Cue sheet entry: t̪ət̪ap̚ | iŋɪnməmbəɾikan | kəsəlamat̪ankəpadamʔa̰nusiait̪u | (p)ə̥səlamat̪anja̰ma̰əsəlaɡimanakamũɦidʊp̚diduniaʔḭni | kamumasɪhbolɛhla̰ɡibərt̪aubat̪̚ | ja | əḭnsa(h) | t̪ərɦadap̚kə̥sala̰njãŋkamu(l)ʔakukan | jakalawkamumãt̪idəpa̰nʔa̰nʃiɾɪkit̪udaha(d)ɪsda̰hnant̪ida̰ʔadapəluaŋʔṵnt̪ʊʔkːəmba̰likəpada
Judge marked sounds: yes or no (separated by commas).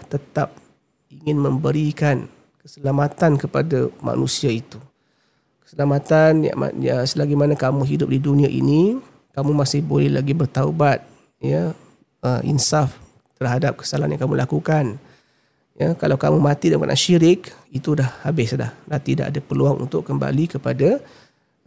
no, no, yes, no